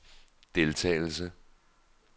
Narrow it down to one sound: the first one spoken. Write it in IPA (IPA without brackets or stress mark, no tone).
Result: d̥